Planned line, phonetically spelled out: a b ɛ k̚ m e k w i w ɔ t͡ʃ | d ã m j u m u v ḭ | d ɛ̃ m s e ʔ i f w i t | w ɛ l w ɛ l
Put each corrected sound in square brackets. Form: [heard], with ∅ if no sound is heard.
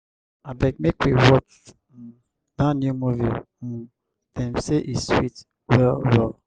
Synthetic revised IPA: a b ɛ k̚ m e k w i w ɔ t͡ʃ | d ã [n] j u m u v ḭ | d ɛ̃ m s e ʔ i [s] w i t | w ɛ l w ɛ l